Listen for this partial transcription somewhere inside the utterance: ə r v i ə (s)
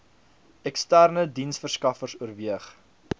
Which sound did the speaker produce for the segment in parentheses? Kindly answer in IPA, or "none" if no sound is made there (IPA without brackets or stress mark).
χ